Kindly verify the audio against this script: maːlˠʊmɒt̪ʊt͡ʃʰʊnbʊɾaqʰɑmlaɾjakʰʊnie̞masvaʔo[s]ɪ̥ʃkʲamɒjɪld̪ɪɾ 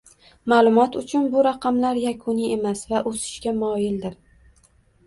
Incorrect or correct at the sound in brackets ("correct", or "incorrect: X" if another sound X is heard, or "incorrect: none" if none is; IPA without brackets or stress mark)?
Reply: correct